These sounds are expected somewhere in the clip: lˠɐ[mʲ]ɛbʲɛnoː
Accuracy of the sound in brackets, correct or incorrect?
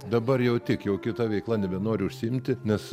incorrect